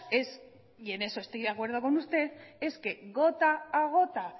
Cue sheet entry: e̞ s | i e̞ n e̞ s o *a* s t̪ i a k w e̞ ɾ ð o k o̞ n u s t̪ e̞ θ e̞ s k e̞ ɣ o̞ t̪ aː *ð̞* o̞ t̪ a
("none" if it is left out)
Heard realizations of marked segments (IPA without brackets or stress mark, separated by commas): e, ɣ̞